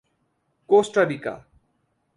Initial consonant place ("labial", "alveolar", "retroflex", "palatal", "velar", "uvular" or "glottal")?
velar